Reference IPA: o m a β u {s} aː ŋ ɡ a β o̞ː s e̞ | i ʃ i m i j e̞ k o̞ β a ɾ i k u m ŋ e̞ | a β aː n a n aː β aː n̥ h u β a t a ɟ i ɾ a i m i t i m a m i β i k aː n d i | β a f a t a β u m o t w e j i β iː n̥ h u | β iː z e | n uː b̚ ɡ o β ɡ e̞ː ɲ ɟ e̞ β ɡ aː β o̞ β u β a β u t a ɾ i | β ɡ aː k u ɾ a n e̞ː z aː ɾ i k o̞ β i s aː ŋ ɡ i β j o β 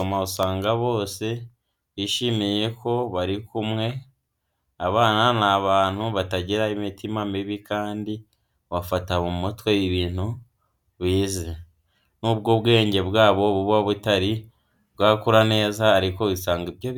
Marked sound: correct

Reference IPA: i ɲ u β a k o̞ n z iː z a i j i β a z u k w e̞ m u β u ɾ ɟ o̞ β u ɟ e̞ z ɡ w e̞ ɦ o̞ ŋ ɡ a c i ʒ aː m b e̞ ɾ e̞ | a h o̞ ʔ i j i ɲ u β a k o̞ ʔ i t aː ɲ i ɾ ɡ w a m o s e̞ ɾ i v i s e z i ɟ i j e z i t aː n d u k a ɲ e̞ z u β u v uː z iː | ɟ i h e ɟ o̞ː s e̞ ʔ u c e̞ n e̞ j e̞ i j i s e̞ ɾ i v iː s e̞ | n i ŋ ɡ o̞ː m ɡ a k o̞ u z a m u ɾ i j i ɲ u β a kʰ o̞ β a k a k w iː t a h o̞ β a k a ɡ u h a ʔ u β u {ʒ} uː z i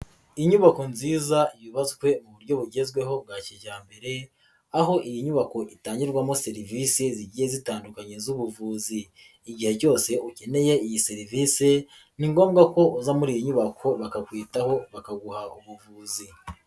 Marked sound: incorrect: v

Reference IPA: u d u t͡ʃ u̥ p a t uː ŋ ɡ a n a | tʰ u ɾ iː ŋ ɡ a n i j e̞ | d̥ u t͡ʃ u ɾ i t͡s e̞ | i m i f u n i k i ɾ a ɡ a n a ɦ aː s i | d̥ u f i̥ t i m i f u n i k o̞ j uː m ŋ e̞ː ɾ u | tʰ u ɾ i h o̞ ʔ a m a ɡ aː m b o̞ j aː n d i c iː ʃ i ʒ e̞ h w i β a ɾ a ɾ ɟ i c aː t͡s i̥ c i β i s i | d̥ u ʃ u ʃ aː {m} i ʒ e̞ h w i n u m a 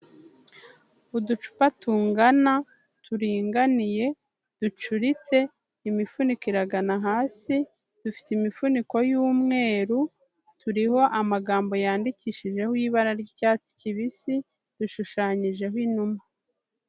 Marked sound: incorrect: ɲ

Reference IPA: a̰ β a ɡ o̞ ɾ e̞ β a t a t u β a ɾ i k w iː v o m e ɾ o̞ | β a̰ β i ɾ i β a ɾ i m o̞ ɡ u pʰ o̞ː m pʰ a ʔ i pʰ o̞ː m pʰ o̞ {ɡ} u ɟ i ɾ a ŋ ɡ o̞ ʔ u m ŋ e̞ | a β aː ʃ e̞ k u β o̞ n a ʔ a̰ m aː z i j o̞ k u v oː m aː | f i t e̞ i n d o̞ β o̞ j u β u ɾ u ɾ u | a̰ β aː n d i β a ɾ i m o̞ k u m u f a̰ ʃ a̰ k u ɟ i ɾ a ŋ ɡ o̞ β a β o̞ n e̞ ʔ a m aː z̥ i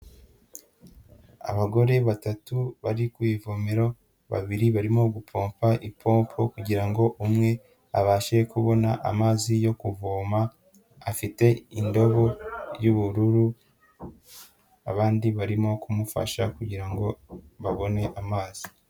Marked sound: incorrect: k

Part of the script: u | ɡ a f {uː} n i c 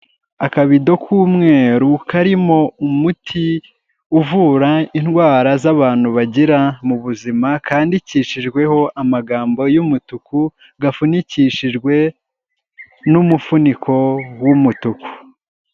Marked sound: incorrect: u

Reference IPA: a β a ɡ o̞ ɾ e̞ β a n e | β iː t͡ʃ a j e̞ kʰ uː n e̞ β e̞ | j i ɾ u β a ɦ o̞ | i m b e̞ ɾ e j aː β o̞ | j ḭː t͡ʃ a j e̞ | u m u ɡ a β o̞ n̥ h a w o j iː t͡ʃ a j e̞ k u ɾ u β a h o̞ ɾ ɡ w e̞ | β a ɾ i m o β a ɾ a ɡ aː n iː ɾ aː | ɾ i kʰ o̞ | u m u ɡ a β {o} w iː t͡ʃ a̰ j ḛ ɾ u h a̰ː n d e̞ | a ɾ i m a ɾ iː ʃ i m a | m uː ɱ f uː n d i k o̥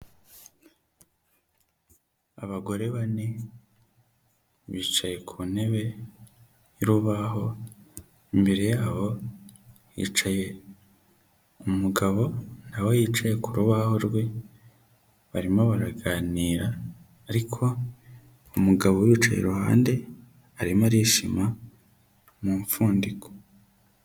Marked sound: correct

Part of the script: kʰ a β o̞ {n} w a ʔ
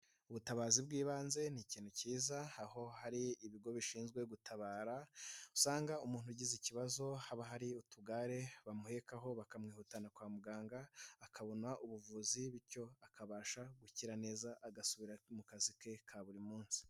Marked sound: correct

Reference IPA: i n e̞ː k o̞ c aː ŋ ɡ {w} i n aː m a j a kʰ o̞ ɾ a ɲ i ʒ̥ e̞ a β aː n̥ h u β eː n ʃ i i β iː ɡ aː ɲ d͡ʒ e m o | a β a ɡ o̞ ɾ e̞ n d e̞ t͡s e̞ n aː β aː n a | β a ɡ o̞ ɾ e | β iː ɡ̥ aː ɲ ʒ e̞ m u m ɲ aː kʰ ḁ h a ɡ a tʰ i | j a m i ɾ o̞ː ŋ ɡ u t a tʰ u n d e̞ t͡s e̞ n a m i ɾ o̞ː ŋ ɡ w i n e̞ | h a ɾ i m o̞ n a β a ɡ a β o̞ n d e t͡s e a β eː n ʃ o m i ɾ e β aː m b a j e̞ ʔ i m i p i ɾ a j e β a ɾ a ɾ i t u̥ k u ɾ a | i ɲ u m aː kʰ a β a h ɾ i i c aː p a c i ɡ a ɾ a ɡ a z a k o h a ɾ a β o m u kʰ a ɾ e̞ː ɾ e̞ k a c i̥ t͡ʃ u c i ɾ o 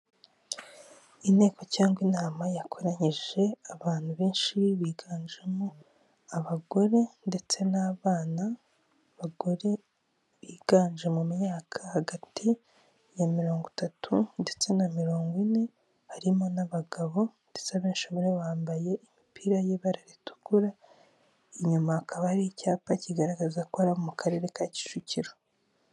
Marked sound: correct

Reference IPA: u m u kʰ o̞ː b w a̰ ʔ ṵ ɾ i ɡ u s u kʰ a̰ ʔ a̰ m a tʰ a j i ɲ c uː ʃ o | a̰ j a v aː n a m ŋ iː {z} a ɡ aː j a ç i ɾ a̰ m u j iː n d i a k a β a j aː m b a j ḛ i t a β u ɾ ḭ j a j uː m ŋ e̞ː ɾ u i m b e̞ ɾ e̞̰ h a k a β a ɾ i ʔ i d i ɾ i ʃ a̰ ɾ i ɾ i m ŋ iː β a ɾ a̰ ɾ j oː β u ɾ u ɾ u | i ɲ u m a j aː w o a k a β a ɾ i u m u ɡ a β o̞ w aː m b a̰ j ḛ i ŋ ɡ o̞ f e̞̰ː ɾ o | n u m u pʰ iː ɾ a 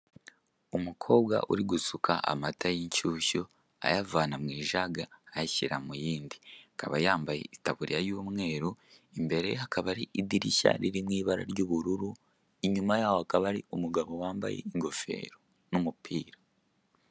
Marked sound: incorrect: ʒ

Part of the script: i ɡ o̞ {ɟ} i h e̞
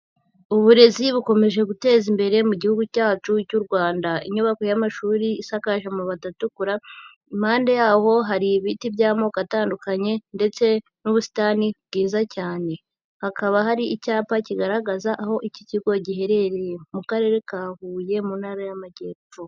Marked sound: correct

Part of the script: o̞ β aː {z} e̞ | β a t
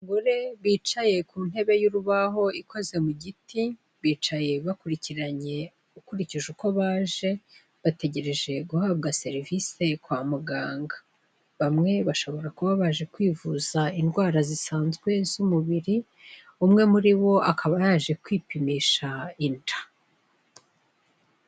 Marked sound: incorrect: ʒ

